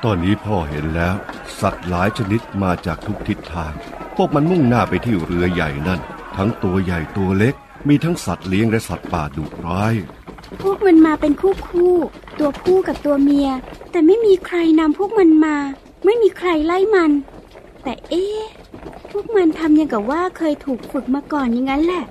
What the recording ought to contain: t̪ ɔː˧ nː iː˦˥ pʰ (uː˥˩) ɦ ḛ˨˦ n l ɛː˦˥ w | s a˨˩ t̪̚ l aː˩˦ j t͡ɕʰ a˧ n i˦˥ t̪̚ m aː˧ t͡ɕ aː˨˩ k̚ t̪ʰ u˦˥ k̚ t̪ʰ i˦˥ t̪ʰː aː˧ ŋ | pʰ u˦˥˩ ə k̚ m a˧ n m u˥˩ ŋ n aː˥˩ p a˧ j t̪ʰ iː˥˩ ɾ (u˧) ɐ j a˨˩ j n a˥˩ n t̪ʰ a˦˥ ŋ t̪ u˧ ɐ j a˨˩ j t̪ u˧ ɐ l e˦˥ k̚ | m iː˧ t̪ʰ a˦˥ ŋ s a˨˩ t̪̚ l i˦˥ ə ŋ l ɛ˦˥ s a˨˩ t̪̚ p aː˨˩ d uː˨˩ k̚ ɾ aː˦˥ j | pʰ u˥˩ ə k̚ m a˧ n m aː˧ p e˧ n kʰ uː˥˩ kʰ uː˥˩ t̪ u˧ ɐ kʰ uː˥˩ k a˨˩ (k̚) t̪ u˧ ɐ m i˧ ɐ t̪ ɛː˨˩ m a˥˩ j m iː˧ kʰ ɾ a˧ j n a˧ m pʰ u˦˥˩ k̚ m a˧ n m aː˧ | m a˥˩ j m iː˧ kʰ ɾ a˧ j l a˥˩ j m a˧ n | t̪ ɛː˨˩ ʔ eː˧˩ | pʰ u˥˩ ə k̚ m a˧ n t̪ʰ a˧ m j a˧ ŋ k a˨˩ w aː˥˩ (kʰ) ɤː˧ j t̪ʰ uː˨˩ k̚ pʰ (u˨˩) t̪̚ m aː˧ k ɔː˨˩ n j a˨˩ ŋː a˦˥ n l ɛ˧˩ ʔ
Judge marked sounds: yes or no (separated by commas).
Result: no, no, no, yes, yes